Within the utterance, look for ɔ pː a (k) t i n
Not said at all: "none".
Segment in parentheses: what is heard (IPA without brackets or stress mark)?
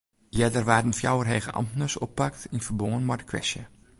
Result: k